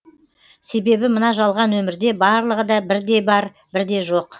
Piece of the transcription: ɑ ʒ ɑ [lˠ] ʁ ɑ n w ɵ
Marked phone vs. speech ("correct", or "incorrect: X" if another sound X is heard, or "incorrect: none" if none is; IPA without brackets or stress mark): correct